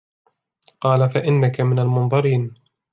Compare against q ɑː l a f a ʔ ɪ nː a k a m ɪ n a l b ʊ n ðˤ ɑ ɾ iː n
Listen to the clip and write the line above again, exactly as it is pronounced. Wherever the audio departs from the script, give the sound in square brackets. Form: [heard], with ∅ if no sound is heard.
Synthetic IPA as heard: q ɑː l a f a ʔ ɪ nː a k a m ɪ n a l [m] ʊ n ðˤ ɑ ɾ iː n